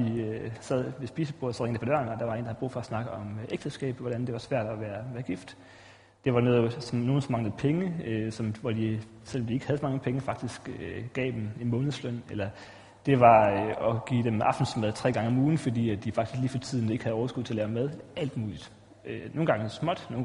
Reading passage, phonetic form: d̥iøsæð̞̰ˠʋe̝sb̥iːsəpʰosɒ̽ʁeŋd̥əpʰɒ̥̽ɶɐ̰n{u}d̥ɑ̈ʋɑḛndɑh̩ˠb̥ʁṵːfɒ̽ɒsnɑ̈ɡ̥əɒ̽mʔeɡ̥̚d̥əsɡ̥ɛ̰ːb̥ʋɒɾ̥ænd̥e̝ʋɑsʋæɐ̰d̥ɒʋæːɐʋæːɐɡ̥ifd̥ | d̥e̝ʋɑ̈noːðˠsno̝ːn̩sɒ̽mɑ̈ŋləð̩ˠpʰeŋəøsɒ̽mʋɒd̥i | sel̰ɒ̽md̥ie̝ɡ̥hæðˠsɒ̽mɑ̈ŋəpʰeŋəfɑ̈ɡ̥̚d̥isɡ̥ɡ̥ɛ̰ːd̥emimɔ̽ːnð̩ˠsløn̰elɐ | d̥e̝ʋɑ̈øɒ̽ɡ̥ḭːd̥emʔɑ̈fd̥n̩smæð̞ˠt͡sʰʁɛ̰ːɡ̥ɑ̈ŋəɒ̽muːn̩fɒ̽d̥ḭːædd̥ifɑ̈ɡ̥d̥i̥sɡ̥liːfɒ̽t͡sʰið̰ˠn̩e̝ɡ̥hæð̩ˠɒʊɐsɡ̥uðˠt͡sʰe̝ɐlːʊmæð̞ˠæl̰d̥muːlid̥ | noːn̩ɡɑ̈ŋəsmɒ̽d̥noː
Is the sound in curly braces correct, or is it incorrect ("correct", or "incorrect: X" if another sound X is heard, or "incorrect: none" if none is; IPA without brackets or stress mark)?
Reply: incorrect: ɒ